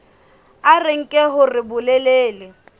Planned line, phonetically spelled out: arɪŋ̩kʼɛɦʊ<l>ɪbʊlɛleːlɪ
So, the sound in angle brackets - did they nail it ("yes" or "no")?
no